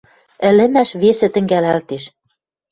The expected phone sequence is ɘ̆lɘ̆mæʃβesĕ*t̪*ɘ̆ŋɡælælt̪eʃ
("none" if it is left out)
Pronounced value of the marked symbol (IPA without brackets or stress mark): t̪